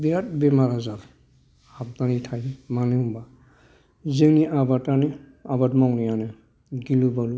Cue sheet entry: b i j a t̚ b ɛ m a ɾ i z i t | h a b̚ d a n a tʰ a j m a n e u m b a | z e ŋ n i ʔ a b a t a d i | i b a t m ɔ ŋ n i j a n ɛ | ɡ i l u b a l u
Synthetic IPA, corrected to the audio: b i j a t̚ b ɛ m a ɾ a z a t | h a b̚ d a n i tʰ a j m a n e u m b a | z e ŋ n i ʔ a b a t a n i | a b a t m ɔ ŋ n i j a n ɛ | ɡ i l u b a l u

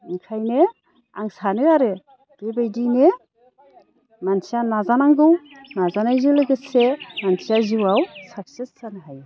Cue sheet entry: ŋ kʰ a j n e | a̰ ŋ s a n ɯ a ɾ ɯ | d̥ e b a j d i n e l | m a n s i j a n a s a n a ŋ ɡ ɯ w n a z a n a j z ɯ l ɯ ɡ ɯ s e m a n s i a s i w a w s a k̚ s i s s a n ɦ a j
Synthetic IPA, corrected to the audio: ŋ kʰ a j n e | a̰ ŋ s a n ɯ a ɾ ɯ | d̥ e b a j d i n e | m a n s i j a n a z a n a ŋ ɡ ɯ w n a z a n a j z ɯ l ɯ ɡ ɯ s e m a n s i a z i w a w s a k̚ s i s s a n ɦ a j

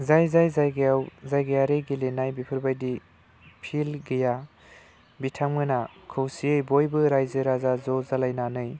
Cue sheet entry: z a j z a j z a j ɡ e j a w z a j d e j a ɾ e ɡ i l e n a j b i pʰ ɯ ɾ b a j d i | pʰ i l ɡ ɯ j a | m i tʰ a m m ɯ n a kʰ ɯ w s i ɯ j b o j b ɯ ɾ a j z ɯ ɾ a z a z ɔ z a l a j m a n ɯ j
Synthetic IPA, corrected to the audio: z a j z a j z a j ɡ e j a w z a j ɡ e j a ɾ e ɡ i l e n a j b i pʰ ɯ ɾ b a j d i | pʰ i l ɡ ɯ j a | b i tʰ a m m ɯ n a kʰ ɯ w s i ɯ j b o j b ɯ ɾ a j z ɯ ɾ a z a z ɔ z a l a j n a n ɯ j

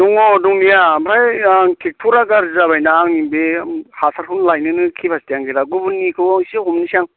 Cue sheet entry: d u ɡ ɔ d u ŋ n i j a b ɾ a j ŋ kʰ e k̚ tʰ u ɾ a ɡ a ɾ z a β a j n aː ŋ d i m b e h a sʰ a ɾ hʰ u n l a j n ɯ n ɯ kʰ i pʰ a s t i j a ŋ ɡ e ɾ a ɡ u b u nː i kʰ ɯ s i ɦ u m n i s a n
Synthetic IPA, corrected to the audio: d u ŋ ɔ d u ŋ n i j a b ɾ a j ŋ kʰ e k̚ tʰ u ɾ a ɡ a ɾ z a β a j n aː ŋ n i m b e h a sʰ a ɾ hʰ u n l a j n ɯ n ɯ kʰ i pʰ a s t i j a ŋ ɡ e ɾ a ɡ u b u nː i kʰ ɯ s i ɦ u m n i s a ŋ

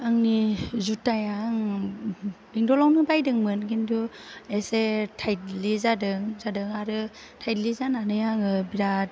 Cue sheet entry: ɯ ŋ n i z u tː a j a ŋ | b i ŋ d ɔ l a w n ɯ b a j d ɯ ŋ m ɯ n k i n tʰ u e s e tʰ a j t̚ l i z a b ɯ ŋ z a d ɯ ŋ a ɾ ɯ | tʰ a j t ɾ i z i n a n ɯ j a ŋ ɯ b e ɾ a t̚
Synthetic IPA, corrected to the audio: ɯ ŋ n i z u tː a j a ŋ | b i ŋ d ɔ l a w n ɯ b a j d ɯ ŋ m ɯ n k i n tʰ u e s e tʰ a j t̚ l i z a d ɯ ŋ z a d ɯ ŋ a ɾ ɯ | tʰ a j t l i z a n a n ɯ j a ŋ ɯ b i ɾ a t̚

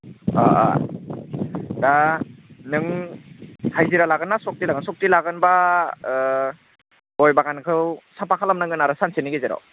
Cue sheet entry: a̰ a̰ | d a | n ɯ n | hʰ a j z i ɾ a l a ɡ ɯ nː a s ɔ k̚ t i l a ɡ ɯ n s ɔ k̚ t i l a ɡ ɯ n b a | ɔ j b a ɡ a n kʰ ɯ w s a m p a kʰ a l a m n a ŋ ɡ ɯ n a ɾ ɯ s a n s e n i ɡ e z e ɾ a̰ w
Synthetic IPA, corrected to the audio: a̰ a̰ | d a | n ɯ ŋ | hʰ a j z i ɾ a l a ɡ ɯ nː a s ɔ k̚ t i l a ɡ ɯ n s ɔ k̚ t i l a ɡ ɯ n b a | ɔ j b a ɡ a n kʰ ɯ w s a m p a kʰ a l a m n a ŋ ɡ ɯ n a ɾ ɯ s a n s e n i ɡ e z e ɾ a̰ w

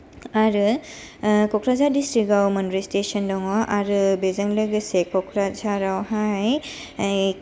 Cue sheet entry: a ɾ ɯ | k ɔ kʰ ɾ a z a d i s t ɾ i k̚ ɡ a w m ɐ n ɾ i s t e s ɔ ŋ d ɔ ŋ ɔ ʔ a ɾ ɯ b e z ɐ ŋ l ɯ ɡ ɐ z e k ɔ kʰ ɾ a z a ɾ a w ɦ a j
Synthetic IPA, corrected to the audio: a ɾ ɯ | k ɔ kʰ ɾ a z a d i s t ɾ i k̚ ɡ a w m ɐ n ɾ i s t e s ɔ n d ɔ ŋ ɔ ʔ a ɾ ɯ b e z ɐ ŋ l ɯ ɡ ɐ s e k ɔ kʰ ɾ a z a ɾ a w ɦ a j

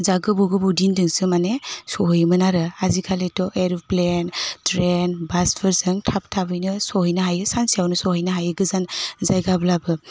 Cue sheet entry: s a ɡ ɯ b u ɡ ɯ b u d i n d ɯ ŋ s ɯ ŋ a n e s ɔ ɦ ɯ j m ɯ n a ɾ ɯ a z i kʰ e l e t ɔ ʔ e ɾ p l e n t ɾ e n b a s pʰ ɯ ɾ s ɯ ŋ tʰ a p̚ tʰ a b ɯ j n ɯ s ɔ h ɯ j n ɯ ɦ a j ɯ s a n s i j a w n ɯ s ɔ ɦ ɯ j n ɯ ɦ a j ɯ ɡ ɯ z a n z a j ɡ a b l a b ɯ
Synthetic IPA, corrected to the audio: z a ɡ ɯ b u ɡ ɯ b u d i n d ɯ ŋ s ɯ m a n e s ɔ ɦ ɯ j m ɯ n a ɾ ɯ a z i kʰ a l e t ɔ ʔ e ɾ p l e n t ɾ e n b a s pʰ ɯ ɾ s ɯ ŋ tʰ a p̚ tʰ a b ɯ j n ɯ s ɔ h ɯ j n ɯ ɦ a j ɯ s a n s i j a w n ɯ s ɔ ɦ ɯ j n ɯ ɦ a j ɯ ɡ ɯ z a n z a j ɡ a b l a b ɯ

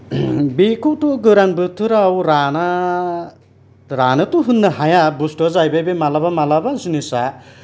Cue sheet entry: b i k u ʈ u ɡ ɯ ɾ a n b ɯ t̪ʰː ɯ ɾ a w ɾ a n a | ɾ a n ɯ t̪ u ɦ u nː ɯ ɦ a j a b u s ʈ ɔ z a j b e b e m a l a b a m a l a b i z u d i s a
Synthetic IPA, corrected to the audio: b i k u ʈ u ɡ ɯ ɾ a n b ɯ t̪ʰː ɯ ɾ a w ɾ a n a | ɾ a n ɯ t̪ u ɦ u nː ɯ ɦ a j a b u s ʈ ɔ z a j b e b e m a l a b a m a l a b a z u n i s a

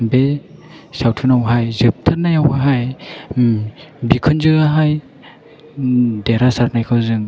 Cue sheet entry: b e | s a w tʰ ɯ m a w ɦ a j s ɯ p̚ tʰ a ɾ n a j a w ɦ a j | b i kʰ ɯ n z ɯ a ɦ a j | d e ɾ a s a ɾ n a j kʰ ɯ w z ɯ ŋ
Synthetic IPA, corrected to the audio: b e | s a w tʰ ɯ n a w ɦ a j z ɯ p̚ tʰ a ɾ n a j a w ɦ a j | b i kʰ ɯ n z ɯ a ɦ a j | d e ɾ a s a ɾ n a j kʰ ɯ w z ɯ ŋ

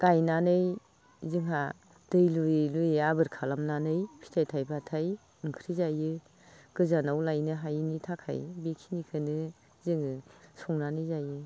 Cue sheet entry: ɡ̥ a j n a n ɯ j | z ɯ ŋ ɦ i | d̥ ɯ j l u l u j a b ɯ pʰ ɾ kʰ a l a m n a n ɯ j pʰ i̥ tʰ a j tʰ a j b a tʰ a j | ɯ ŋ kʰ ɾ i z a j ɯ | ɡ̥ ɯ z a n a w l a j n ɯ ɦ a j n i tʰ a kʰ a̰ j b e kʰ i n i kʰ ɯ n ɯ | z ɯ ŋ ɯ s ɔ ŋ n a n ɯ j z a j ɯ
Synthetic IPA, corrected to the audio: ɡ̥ a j n a n ɯ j | z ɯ ŋ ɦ a | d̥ ɯ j l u l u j a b ɯ ɾ kʰ a l a m n a n ɯ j pʰ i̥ tʰ a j tʰ a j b a tʰ a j | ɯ ŋ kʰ ɾ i z a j ɯ | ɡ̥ ɯ z a n a w l a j n ɯ ɦ a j n i tʰ a kʰ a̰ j b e kʰ i n i kʰ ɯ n ɯ | z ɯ ŋ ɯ s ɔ ŋ n a n ɯ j z a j ɯ

